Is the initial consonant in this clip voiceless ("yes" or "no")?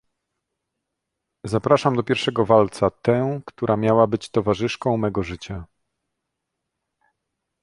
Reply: no